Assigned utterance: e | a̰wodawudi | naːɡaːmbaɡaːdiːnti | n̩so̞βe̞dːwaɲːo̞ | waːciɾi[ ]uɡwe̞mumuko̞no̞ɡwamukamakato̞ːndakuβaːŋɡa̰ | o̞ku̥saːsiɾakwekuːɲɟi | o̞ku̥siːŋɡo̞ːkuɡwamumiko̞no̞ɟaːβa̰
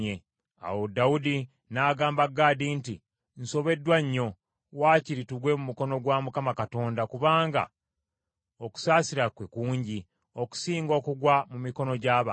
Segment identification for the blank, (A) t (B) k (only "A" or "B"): A